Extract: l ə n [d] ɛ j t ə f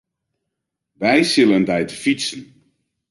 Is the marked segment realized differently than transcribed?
no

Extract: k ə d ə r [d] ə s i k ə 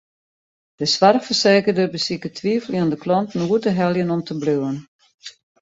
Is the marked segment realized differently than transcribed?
yes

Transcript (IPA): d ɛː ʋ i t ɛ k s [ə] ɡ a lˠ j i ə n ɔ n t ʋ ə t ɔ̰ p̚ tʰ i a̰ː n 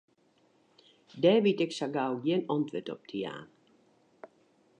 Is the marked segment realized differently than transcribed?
yes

